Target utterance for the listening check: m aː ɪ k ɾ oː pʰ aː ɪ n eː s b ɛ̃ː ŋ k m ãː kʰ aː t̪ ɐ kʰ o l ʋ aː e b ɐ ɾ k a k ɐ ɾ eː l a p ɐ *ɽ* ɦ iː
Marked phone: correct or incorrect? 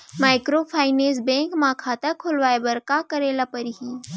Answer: incorrect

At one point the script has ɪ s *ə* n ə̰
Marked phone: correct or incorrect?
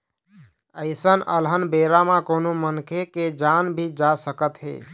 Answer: correct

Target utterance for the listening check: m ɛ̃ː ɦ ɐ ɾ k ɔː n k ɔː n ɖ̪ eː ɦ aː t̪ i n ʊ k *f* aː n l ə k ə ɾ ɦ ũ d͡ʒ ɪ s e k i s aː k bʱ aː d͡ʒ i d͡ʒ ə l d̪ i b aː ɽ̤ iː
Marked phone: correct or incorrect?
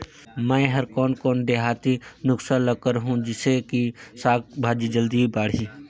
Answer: incorrect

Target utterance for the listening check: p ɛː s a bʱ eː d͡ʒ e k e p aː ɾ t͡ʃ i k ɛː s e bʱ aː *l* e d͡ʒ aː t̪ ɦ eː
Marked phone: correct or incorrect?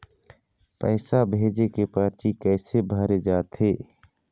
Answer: incorrect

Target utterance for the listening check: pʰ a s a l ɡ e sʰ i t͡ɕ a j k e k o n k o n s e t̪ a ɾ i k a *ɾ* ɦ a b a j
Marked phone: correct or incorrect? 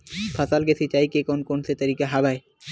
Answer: incorrect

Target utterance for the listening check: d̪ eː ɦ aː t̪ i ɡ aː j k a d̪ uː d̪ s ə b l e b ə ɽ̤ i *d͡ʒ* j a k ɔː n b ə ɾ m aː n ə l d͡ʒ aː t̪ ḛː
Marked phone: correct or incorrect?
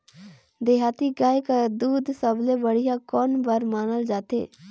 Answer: incorrect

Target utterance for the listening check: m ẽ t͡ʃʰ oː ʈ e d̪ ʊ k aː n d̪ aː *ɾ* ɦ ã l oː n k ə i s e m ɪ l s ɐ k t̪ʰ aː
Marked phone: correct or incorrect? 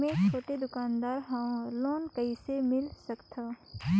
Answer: correct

